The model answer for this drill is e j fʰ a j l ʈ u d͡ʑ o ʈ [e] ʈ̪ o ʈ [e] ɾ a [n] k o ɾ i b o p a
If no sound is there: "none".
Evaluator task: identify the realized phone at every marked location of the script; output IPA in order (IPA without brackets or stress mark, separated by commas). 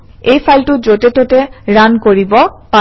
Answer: e, e, n